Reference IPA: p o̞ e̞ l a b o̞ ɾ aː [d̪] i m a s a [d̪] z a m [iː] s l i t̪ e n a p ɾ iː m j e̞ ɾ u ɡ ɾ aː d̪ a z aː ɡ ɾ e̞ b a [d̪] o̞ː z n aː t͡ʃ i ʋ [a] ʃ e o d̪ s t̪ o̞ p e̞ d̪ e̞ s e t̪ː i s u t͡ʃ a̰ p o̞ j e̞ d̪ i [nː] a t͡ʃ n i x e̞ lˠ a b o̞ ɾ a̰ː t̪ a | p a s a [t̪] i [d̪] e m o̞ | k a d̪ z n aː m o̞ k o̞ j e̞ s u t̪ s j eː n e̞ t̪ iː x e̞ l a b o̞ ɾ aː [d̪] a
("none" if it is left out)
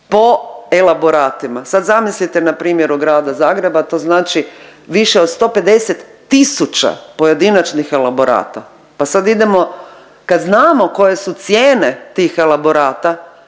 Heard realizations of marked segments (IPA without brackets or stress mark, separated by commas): t̪, d̪, i, t̪, i, n, d̪, d̪, t̪